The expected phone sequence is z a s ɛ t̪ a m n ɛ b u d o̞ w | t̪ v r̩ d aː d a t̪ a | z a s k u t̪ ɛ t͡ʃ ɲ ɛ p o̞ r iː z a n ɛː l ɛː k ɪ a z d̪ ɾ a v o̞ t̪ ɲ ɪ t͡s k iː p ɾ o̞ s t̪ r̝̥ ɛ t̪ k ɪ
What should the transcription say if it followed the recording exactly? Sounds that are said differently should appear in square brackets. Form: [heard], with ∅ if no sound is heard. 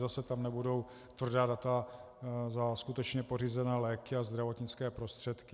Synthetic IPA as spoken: z a s ɛ t̪ a m n ɛ b u d o̞ w | t̪ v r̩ d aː d a t̪ a | z a s k u t̪ ɛ t͡ʃ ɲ ɛ p o̞ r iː z [ɛ] n ɛː l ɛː k ɪ a z d̪ ɾ a v o̞ t̪ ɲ ɪ t͡s k [ɛː] p ɾ o̞ s t̪ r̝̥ ɛ t̪ k ɪ

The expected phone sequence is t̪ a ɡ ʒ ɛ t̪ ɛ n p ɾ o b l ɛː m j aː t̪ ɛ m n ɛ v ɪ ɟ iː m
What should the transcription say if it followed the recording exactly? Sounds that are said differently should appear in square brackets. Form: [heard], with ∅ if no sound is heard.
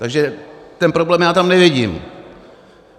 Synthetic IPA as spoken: t̪ a ɡ ʒ ɛ t̪ ɛ n p ɾ o b l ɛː m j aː t̪ [a] m n ɛ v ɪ ɟ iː m

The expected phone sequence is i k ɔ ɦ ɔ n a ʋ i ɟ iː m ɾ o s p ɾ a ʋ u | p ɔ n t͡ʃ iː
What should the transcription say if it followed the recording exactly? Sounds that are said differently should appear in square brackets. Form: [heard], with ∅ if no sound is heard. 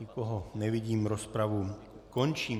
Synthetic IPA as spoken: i k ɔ ɦ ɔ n [ɛ] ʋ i ɟ iː m ɾ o s p ɾ a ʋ u | [k] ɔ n t͡ʃ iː

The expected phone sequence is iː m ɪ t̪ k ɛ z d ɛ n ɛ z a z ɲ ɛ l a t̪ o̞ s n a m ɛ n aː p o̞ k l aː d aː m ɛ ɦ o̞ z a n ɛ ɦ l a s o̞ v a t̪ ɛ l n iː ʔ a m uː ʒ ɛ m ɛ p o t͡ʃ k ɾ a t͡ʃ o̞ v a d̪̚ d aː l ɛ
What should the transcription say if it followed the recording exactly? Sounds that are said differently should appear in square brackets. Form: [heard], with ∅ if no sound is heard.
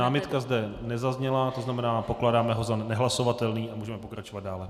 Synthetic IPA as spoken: [aː] m ɪ t̪ k [a] z d ɛ n ɛ z a z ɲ ɛ l a t̪ o̞ [z] n a m ɛ n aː p o̞ k l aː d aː m ɛ ɦ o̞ z a n ɛ ɦ l a s o̞ v a t̪ ɛ l n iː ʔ a m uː ʒ ɛ m ɛ p o [∅] k ɾ a t͡ʃ o̞ v a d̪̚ d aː l ɛ

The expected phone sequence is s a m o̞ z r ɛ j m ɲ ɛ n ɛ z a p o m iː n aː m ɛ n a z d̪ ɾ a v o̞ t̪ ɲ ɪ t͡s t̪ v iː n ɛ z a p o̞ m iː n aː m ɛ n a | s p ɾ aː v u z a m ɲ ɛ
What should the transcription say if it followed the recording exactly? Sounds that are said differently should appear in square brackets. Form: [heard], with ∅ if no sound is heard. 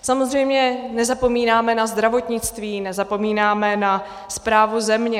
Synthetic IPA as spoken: s a m o̞ z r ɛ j m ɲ ɛ n ɛ z a p o m iː n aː m ɛ n a z d̪ ɾ a v o̞ t̪ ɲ ɪ t͡s t̪ v iː n ɛ z a p o̞ m iː n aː m ɛ n a | s p ɾ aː v u z [ɛ] m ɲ ɛ

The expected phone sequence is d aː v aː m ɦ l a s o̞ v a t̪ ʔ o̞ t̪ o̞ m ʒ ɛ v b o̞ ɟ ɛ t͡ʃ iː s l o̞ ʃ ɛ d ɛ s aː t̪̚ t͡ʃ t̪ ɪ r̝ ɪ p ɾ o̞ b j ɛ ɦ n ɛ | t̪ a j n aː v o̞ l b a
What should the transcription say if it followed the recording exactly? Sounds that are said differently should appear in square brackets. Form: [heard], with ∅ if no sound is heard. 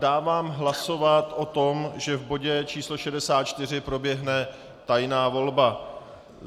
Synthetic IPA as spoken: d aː v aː m ɦ l a s o̞ v a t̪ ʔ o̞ t̪ o̞ m ʒ ɛ v b o̞ ɟ ɛ t͡ʃ iː s l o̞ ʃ ɛ d ɛ s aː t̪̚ t͡ʃ t̪ ɪ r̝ ɪ p ɾ o̞ b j ɛ ɦ n ɛ | t̪ a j n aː v o̞ l b a

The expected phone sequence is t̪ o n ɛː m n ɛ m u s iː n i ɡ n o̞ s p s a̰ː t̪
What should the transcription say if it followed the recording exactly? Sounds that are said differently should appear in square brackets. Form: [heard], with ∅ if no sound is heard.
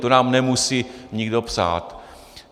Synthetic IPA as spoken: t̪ o n [aː] m n ɛ m u s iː [ɲ] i ɡ [d] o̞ [∅] p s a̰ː t̪

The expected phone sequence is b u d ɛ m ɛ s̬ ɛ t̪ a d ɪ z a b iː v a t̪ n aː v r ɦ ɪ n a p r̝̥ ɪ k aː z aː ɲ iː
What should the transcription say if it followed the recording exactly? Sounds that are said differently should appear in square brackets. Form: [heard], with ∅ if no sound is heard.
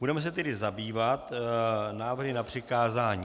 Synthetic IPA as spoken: b u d ɛ m ɛ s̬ ɛ t̪ [ɛ] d ɪ z a b iː v a t̪ n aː v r ɦ ɪ n a p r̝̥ ɪ k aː z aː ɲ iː

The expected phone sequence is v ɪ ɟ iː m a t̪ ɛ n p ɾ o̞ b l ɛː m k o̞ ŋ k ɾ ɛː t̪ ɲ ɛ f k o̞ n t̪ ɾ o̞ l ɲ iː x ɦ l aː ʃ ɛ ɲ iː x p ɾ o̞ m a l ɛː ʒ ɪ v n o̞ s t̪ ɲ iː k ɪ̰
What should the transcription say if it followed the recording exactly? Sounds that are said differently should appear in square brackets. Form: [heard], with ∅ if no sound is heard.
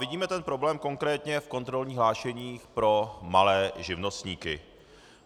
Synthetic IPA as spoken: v ɪ ɟ iː m [ɛ] t̪ ɛ n p ɾ o̞ b l ɛː m k o̞ ŋ k ɾ ɛː t̪ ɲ ɛ f k o̞ n t̪ ɾ o̞ l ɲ iː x ɦ l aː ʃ ɛ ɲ iː x p ɾ o̞ m a l ɛː ʒ ɪ v n o̞ s t̪ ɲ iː k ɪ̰

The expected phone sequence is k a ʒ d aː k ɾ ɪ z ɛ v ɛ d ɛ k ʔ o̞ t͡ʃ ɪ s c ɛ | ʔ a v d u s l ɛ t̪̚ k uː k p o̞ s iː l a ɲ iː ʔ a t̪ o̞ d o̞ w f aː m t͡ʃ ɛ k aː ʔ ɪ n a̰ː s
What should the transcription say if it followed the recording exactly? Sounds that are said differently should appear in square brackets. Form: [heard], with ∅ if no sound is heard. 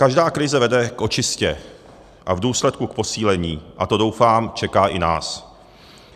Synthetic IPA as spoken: k a ʒ d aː k ɾ ɪ z ɛ v ɛ d ɛ k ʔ o̞ t͡ʃ ɪ s c ɛ | ʔ a v d [uː] s l ɛ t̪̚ k [u] k p o̞ s iː l [ɛ] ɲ iː ʔ a t̪ o̞ d o̞ w f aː m t͡ʃ ɛ k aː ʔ ɪ n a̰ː s

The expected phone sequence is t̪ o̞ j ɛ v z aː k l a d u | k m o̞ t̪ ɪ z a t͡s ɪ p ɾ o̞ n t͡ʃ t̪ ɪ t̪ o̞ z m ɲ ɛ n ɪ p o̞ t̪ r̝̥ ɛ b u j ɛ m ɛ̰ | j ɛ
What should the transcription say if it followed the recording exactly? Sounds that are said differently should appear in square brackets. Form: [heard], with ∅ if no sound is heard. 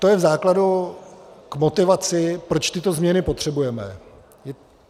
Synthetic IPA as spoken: t̪ o̞ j ɛ v z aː k l a d u | k m o̞ t̪ ɪ [v] a t͡s ɪ p ɾ o̞ [∅] t͡ʃ t̪ ɪ t̪ o̞ z m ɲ ɛ n ɪ p o̞ t̪ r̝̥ ɛ b u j ɛ m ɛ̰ | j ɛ

